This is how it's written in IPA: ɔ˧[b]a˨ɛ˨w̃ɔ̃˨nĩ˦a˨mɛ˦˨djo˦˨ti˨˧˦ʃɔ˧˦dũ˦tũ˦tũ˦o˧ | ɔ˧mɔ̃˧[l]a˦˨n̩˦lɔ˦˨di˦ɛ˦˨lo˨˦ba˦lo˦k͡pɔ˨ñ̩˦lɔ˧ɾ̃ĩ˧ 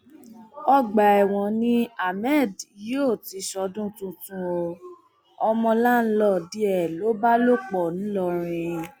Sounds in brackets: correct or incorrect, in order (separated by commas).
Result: incorrect, correct